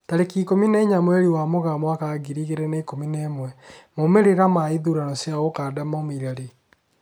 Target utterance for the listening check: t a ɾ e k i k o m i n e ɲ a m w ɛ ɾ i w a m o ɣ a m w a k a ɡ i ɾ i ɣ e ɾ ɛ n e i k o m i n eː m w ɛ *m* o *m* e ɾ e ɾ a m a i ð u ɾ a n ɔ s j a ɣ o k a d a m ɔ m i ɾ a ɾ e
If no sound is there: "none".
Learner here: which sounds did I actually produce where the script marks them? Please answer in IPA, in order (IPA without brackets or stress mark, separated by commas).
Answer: m, m